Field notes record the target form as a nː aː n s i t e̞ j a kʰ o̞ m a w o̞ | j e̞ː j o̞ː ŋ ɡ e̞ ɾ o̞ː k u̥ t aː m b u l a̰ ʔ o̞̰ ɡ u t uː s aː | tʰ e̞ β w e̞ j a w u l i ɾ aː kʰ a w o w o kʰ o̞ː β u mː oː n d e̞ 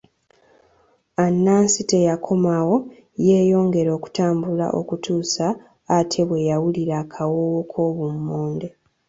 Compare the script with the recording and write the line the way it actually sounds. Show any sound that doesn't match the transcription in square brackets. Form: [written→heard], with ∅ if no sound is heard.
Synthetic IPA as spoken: a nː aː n s i t e̞ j a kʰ o̞ m a w o̞ | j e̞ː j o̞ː ŋ ɡ e̞ ɾ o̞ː k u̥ t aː m b u l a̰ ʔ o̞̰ [ɡ→k] u t uː s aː | tʰ e̞ β w e̞ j a w u l i ɾ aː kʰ a w o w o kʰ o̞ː β u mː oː n d e̞